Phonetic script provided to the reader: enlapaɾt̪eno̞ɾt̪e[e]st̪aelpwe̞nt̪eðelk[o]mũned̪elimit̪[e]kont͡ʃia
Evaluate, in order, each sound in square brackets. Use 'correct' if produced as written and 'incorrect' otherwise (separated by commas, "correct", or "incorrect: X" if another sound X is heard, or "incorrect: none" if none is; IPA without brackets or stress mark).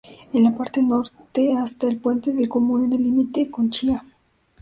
incorrect: a, correct, correct